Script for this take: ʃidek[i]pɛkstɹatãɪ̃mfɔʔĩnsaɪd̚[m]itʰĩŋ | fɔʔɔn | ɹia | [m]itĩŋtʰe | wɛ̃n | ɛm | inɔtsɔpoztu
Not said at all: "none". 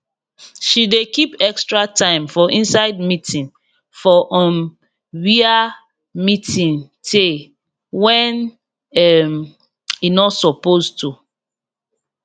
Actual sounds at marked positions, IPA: i, m, m

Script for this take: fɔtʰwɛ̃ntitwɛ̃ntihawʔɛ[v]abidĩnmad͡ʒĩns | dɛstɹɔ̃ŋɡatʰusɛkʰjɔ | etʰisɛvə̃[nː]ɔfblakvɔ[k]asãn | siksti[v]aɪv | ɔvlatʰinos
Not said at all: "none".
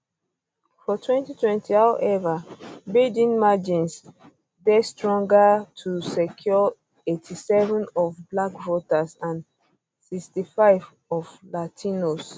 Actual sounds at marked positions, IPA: v, n, t, f

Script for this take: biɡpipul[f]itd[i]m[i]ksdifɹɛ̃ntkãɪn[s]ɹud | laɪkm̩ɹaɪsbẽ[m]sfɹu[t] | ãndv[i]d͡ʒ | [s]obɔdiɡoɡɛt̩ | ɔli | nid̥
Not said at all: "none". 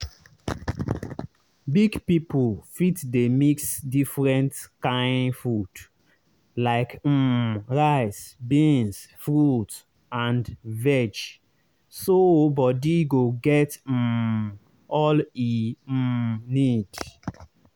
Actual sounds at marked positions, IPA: f, e, i, f, n, t, ɛ, s

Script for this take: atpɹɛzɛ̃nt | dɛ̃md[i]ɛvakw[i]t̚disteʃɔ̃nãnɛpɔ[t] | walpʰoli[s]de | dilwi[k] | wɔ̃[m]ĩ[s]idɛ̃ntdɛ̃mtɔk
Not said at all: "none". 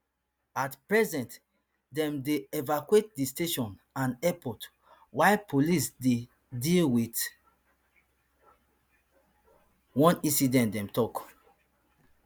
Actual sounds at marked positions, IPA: e, e, t, s, t, n, s

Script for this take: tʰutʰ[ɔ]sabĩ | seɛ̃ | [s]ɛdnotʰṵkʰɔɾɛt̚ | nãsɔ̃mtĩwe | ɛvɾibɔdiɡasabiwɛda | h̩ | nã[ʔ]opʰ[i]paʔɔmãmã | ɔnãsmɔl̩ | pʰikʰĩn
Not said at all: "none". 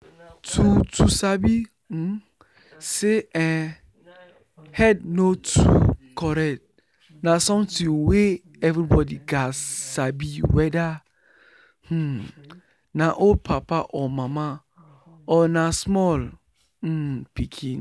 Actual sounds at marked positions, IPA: u, h, ʔ, a

